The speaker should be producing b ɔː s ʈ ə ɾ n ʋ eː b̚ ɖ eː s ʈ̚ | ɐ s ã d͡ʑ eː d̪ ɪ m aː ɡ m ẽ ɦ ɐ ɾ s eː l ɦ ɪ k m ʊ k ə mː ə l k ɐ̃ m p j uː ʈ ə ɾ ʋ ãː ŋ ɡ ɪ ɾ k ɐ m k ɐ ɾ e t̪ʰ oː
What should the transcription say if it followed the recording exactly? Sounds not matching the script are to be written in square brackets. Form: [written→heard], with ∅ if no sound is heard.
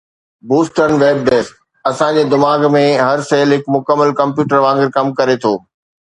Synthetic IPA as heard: b [ɔː→uː] s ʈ ə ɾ n ʋ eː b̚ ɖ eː s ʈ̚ | ɐ s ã d͡ʑ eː d̪ ɪ m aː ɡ m ẽ ɦ ɐ ɾ s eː l ɦ ɪ k m ʊ k ə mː ə l k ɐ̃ m p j uː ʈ ə ɾ ʋ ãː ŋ ɡ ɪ ɾ k ɐ m k ɐ ɾ e t̪ʰ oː